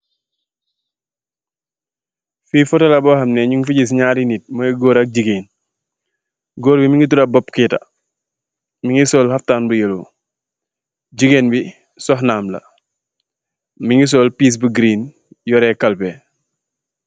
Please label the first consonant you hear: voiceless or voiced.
voiceless